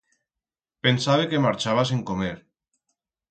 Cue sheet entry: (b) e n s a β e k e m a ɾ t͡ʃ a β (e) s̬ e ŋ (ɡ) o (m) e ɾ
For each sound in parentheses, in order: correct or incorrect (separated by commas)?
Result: incorrect, incorrect, incorrect, correct